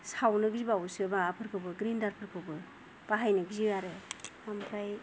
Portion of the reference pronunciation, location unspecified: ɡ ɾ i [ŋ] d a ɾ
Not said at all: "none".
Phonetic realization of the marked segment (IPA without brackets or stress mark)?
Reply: n